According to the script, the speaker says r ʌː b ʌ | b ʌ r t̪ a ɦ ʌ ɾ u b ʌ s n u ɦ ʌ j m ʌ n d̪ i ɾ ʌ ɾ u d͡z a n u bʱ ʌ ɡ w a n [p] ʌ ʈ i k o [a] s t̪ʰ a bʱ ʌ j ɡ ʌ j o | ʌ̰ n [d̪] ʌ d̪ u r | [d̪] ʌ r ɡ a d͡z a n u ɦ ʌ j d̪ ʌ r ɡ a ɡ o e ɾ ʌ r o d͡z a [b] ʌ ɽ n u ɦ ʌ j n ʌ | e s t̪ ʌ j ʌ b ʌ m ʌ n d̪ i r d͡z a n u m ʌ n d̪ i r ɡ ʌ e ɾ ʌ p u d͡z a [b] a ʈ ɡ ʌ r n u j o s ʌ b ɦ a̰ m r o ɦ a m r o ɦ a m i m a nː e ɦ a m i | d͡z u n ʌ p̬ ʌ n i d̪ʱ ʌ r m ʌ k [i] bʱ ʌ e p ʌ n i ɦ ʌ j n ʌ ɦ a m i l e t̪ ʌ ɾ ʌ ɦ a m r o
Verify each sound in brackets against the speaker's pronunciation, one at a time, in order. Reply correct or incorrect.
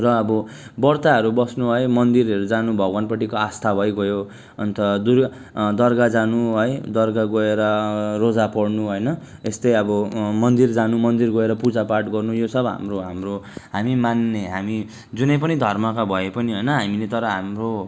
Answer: correct, correct, incorrect, correct, incorrect, incorrect, incorrect

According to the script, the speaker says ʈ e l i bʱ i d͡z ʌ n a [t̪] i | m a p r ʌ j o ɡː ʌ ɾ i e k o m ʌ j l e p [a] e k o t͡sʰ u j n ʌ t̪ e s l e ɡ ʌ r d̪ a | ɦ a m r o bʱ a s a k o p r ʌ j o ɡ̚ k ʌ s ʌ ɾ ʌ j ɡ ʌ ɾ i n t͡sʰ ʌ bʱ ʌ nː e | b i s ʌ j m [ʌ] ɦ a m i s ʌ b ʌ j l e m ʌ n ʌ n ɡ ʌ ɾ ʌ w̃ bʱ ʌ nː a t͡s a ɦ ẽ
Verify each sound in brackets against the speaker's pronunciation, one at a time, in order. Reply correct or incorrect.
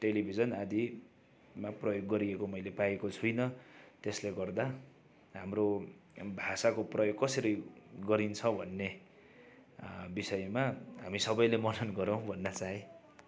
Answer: incorrect, correct, incorrect

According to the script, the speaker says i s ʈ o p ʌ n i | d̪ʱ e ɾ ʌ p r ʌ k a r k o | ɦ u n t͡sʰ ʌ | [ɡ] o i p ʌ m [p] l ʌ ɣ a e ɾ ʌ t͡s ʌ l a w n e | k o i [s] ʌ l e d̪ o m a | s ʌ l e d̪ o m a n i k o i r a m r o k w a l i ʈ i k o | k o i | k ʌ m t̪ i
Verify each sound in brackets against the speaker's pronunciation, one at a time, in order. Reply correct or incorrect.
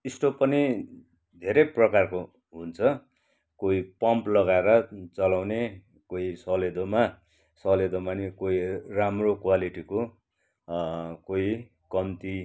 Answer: incorrect, correct, correct

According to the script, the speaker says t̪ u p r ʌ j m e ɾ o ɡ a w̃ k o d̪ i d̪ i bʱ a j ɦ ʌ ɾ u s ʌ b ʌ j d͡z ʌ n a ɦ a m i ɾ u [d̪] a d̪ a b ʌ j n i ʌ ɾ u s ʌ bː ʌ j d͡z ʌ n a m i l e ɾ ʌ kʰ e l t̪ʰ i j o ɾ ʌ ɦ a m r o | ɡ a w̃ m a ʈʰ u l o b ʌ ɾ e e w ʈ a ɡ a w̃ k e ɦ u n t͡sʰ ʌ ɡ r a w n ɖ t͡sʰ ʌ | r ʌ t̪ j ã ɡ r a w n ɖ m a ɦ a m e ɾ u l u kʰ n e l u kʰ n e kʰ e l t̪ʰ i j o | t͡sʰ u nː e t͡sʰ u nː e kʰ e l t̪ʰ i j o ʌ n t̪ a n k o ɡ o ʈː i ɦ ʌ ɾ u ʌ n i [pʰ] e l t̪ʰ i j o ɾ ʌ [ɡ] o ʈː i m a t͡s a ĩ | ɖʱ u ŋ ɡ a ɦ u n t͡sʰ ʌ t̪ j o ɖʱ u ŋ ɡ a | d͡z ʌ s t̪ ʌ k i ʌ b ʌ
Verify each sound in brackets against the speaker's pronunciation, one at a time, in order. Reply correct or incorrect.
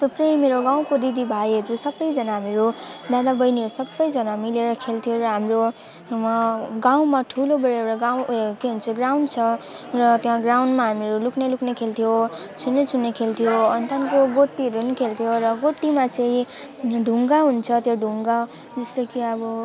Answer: correct, incorrect, correct

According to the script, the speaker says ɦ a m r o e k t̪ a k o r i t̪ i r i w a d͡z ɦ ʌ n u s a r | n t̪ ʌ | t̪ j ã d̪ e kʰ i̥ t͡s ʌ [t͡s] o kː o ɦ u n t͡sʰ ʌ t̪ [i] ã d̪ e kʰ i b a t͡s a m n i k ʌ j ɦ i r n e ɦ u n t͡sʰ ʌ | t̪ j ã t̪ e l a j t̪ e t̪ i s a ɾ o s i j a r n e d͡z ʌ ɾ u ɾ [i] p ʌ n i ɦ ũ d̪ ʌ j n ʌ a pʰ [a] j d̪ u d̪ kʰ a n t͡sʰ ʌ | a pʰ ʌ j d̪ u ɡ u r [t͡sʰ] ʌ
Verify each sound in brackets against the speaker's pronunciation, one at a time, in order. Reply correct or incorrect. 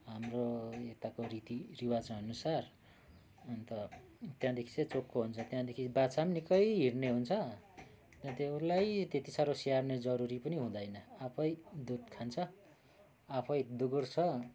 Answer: correct, incorrect, correct, incorrect, correct

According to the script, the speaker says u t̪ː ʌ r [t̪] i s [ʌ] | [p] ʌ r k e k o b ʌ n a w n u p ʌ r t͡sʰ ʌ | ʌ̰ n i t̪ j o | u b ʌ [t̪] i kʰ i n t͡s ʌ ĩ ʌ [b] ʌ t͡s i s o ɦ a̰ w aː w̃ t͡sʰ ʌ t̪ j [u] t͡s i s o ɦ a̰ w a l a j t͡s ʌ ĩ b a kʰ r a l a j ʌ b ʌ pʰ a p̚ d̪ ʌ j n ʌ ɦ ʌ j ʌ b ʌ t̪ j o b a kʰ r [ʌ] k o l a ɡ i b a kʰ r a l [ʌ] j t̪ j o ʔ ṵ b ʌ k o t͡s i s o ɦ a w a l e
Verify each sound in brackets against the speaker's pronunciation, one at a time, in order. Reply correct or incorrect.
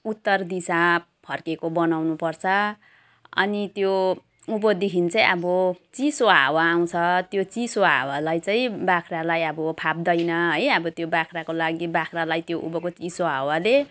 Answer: incorrect, incorrect, incorrect, incorrect, correct, incorrect, incorrect, incorrect

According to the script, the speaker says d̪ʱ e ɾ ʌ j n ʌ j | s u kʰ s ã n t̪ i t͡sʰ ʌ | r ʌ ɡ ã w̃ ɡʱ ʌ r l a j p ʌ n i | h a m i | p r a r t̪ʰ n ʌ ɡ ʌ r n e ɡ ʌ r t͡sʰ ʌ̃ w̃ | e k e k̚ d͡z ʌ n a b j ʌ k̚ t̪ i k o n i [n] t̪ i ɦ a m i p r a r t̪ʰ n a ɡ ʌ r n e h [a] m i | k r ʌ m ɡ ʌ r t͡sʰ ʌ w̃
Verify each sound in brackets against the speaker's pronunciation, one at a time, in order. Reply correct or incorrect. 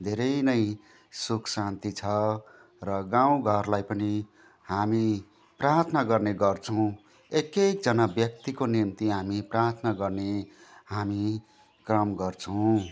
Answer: incorrect, correct

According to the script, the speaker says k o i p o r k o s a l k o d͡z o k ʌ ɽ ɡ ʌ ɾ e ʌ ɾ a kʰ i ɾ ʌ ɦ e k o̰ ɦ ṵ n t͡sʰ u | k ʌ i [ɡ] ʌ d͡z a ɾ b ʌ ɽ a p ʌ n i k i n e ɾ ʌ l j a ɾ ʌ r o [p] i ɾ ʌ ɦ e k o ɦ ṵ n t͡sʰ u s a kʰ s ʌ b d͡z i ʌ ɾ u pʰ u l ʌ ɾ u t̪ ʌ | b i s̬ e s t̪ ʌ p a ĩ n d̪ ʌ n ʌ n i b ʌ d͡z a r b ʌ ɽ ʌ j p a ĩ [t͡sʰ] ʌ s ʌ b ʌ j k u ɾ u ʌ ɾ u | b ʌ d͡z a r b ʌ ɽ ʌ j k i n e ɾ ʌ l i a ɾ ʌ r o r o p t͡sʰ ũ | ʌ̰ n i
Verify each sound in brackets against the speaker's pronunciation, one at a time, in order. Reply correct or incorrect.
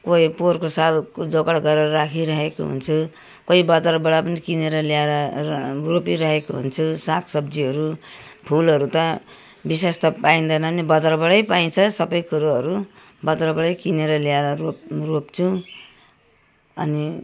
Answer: incorrect, correct, correct

